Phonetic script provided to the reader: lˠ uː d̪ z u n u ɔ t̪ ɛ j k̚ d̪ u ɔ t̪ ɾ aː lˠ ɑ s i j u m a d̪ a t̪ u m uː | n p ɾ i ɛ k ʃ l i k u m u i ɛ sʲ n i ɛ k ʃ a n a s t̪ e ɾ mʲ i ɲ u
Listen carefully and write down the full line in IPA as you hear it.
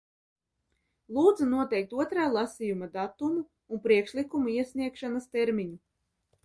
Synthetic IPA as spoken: lˠ uː d̪ z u n u ɔ t̪ ɛ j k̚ t̪ u ɔ t̪ ɾ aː lˠ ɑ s i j u m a d̪ a t̪ u m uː | n p ɾ i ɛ k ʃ l i k u m u i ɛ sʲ n i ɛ k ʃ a n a s t̪ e ɾ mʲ i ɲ u